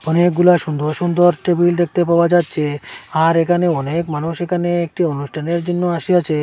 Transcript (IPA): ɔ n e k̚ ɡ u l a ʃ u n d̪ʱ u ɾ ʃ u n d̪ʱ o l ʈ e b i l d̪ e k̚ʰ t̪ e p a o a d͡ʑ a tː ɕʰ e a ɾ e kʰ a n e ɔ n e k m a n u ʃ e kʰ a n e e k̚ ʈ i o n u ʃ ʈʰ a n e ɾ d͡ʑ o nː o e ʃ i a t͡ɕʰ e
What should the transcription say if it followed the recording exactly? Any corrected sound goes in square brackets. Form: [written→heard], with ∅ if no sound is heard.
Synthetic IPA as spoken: ɔ n e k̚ ɡ u l a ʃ u n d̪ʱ [u→o] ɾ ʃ u n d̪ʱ o [l→ɾ] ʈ e b i l d̪ e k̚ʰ t̪ e p a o a d͡ʑ a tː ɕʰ e a ɾ e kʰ a n e ɔ n e k m a n u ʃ e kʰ a n e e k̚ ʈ i o n u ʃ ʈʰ a n e ɾ d͡ʑ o nː o [e→a] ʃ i a t͡ɕʰ e